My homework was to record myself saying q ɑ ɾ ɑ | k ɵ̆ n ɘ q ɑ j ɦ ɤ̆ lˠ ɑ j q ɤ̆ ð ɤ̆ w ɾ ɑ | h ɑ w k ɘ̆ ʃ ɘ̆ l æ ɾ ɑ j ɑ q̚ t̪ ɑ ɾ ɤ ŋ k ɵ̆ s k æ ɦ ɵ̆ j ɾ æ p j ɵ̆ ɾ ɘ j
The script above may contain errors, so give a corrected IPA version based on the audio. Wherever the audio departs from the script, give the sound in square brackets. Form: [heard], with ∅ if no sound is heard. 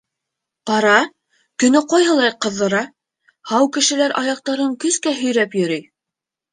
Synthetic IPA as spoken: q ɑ ɾ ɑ | k ɵ̆ n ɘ q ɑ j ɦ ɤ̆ lˠ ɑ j q ɤ̆ [ðː] ɤ̆ [∅] ɾ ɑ | h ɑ w k ɘ̆ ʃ ɘ̆ l æ ɾ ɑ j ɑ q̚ t̪ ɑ ɾ ɤ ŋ k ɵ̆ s k æ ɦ ɵ̆ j ɾ æ p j ɵ̆ ɾ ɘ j